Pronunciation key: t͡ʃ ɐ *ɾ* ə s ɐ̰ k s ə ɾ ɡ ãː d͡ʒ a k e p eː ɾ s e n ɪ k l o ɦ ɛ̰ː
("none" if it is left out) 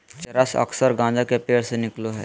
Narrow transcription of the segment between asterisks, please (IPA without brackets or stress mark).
ɾ